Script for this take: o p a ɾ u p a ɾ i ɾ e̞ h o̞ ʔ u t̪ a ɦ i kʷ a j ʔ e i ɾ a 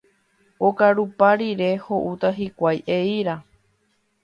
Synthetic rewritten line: o k a ɾ u p a ɾ i ɾ e̞ h o̞ ʔ u t̪ a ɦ i kʷ a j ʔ e i ɾ a